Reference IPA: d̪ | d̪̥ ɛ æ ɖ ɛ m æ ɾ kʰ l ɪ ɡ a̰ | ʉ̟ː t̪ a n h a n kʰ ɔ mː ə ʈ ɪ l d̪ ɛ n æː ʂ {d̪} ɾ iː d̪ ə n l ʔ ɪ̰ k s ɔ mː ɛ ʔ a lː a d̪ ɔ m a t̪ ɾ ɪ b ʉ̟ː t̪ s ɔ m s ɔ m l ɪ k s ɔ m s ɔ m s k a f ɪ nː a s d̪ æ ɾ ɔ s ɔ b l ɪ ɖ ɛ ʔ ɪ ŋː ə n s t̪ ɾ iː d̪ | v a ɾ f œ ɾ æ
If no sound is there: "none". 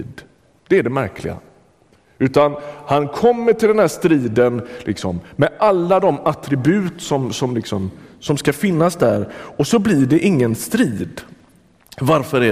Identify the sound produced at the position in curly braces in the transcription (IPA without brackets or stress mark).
t̪